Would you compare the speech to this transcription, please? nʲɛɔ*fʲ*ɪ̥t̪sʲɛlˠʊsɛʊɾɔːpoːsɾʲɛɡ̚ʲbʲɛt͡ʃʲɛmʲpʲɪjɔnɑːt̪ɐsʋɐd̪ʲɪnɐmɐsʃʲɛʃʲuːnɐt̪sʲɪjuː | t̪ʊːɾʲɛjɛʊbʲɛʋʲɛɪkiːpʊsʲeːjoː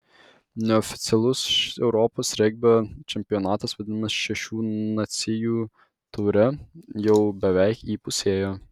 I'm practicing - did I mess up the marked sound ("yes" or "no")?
no